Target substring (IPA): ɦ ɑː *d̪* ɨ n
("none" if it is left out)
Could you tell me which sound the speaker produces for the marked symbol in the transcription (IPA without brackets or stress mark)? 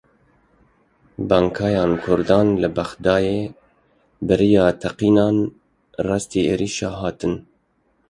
t̪